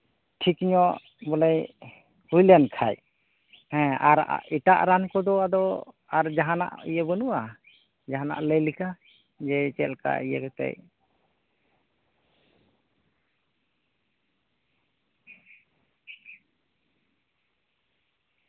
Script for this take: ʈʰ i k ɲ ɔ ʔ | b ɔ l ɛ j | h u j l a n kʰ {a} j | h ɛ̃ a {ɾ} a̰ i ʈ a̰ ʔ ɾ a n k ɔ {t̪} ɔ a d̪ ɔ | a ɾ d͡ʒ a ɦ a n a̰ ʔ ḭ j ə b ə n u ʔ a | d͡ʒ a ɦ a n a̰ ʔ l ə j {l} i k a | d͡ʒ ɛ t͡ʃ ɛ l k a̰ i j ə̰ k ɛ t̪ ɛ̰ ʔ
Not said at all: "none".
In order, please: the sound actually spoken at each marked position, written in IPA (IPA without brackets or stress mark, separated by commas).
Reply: a, ɾ, d̪, l